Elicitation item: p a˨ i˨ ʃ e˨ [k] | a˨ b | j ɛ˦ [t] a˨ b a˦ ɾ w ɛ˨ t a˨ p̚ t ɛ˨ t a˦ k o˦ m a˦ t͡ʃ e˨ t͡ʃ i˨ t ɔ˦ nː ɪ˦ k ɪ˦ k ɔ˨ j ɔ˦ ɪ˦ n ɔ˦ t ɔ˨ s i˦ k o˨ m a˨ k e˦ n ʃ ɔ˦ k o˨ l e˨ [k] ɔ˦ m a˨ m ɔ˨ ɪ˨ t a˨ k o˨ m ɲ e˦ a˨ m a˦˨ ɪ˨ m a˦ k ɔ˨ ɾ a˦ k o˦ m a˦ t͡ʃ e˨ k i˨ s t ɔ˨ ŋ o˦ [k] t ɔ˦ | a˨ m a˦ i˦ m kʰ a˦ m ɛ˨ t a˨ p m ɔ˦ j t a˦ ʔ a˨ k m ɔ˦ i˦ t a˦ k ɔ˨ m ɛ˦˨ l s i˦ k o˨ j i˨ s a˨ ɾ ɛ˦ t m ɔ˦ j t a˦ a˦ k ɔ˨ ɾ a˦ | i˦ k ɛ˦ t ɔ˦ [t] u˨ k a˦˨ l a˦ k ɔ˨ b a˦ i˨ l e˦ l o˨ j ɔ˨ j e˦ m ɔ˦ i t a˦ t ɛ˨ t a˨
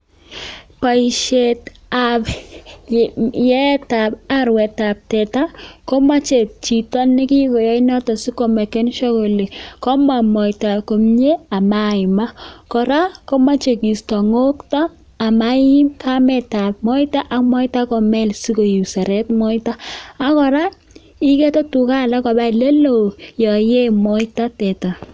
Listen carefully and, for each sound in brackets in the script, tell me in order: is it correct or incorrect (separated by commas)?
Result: incorrect, correct, correct, correct, correct